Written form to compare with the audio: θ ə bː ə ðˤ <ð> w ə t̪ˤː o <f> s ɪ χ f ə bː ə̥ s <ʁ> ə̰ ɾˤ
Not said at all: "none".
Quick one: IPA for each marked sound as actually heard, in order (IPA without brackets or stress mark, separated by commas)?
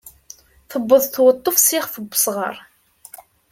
θ, f, ʁ